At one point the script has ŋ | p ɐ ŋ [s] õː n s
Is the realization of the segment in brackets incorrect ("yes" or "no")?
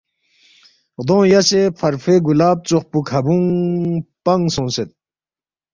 no